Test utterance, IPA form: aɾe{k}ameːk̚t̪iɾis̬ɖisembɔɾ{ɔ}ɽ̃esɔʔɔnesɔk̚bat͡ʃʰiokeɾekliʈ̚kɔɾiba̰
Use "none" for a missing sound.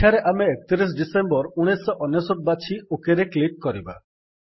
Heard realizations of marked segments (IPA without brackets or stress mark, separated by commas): ʔ, u